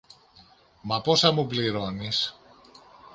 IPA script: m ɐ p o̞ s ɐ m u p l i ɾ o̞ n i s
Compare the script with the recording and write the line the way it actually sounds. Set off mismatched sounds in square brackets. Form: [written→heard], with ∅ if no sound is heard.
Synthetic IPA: m ɐ p o̞ s ɐ m u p l i ɾ o̞ n i s

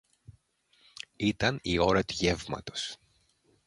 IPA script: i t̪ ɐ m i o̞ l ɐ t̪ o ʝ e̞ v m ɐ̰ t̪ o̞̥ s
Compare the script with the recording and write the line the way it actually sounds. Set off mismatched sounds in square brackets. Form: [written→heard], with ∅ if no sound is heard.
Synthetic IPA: i t̪ ɐ [m→n] i o̞ [l→ɾ] ɐ t̪ [o→u] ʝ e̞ v m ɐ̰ t̪ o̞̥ s

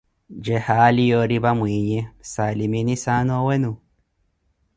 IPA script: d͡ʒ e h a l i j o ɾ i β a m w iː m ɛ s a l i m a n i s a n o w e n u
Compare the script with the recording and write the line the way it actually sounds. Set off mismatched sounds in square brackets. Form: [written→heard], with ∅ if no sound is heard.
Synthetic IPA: d͡ʒ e h a l i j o ɾ i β a m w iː [m→ɲ] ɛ s a l i m [a→i] n i s a n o w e n u

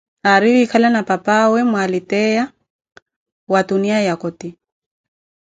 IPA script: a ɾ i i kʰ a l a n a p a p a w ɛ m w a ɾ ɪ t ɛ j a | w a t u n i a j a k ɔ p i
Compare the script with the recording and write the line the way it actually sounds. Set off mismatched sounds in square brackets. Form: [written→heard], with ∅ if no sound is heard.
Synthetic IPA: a ɾ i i kʰ a l a n a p a p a w ɛ m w a [ɾ→l] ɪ t ɛ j a | w a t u n i a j a k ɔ [p→t] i

